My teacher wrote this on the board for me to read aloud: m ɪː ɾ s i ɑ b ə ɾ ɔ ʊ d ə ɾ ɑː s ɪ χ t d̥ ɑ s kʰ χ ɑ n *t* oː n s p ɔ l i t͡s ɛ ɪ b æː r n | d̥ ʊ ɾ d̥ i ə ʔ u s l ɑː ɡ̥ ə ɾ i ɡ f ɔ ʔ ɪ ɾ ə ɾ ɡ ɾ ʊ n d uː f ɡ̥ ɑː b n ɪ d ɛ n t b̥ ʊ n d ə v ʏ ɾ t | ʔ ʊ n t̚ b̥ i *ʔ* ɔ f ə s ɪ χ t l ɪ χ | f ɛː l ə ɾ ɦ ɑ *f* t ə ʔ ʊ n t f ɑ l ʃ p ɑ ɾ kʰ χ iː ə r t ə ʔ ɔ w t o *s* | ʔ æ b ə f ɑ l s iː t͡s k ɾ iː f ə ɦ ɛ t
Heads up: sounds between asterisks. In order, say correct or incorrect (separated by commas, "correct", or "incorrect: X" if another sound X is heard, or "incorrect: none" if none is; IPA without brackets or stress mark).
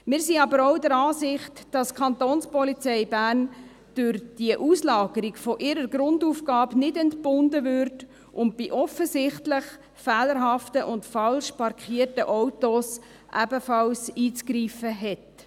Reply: correct, correct, correct, correct